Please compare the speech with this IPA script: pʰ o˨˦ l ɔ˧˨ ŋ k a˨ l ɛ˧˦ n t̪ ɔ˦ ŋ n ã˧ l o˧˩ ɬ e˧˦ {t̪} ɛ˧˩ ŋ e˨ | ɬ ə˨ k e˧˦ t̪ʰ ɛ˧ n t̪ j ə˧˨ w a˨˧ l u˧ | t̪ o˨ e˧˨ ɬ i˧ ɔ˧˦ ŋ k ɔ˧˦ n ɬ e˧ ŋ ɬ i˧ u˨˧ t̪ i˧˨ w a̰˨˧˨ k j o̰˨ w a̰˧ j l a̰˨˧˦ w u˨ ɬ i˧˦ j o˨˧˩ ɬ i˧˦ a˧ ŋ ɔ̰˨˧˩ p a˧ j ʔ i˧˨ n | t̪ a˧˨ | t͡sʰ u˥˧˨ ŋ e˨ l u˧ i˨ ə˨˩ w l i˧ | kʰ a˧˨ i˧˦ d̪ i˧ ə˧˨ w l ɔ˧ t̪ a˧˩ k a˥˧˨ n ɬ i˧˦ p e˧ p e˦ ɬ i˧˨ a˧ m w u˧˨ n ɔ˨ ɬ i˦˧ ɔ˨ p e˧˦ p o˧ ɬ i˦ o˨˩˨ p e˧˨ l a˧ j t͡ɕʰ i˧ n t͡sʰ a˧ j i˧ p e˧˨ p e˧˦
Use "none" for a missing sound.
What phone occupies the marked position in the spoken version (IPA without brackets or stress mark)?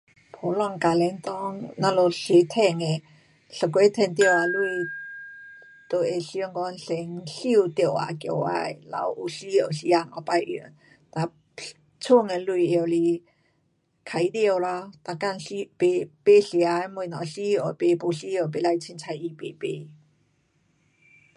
t̪ʰ